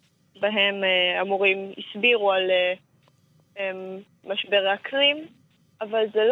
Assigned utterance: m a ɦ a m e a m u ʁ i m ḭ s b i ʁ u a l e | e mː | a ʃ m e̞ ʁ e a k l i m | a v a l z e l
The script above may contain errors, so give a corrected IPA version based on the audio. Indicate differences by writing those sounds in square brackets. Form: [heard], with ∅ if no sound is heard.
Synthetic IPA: [b] a ɦ [e] m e a m u ʁ i m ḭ s b i ʁ u a l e | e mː | a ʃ [b] e̞ ʁ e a k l i m | a v a l z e l